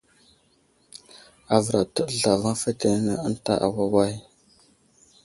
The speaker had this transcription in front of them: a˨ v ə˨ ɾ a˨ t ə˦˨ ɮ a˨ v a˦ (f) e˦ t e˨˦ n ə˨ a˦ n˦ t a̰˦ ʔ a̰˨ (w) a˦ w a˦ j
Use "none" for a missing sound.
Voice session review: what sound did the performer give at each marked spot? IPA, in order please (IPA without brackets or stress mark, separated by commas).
f, w